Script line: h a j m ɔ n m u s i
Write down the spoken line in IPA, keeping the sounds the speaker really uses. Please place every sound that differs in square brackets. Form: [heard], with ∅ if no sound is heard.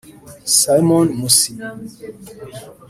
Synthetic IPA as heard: [s] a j m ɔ n m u s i

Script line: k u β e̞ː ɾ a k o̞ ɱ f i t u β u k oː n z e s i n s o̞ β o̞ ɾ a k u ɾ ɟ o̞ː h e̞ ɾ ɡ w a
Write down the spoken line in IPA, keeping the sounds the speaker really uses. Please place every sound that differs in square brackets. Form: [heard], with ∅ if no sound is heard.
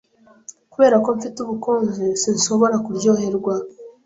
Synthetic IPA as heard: k u β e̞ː ɾ a k o̞ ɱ f i t u β u k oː n z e s i n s o̞ β o̞ ɾ a k u ɾ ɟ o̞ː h e̞ ɾ ɡ w a

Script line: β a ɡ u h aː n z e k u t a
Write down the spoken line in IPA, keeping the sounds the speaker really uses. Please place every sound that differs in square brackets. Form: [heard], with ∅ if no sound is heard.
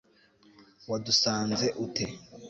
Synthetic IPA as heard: [w] a [d] u [s] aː n z e [ʔ] u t [e]

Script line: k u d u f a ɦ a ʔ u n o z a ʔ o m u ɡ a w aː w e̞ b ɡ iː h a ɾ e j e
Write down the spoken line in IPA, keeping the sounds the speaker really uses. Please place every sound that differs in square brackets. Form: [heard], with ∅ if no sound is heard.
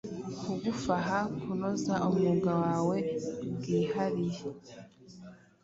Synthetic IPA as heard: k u [ɡ] u f a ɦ a [k] u n o z a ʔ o m u ɡ a w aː w e̞ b ɡ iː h a ɾ [i] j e

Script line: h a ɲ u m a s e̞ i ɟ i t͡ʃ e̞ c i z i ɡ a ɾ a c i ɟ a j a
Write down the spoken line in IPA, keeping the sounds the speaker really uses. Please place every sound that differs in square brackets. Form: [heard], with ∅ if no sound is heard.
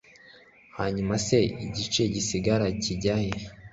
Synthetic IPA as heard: h a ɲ u m a s e̞ i ɟ i t͡ʃ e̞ [ɟ] i [s] i ɡ a ɾ a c i ɟ a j [e]

